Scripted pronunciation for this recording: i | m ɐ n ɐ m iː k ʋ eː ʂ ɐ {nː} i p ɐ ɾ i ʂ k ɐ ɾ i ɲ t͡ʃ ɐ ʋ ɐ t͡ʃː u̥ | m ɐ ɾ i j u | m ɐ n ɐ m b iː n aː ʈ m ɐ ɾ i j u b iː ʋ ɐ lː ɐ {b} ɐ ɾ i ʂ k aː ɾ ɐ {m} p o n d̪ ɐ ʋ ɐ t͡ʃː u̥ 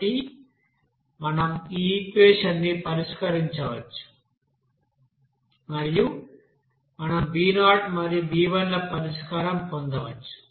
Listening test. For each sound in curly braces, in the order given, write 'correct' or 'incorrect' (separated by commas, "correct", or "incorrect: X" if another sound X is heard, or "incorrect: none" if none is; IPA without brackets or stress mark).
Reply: correct, incorrect: p, correct